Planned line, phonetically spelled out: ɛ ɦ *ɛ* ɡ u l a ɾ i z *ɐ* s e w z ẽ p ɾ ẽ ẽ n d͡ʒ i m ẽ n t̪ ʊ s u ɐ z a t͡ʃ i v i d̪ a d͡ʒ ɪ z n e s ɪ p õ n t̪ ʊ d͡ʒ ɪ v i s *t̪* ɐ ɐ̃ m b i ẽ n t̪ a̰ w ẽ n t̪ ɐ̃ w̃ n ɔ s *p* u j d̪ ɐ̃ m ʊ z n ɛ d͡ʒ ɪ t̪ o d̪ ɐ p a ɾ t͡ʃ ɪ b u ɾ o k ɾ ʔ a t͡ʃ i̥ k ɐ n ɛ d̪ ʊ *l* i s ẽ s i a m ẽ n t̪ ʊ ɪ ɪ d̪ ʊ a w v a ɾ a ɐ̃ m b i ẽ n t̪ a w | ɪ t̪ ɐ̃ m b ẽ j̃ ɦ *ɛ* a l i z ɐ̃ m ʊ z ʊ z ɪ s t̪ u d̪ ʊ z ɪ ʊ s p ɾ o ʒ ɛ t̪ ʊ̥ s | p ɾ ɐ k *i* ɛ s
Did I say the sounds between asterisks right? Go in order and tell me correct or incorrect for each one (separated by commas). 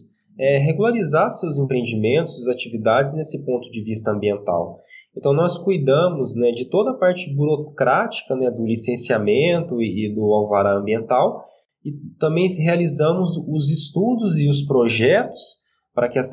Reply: incorrect, incorrect, correct, incorrect, correct, incorrect, incorrect